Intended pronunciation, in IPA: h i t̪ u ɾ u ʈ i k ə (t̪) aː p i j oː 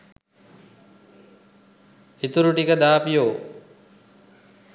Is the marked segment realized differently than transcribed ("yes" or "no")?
yes